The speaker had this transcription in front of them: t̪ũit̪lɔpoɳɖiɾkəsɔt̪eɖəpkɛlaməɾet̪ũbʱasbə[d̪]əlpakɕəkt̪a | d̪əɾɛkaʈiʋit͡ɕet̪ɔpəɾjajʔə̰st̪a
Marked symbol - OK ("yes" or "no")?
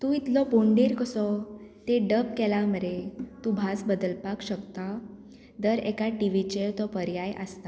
yes